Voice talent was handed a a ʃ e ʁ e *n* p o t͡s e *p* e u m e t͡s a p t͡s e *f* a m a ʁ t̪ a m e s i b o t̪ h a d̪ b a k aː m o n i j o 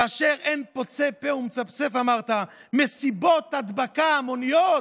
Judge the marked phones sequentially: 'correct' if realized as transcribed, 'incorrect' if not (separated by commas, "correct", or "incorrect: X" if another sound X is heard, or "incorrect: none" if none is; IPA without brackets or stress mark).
correct, correct, correct